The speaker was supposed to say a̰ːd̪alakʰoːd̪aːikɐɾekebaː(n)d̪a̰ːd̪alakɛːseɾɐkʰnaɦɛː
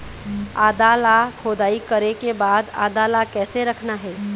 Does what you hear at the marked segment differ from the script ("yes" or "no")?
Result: yes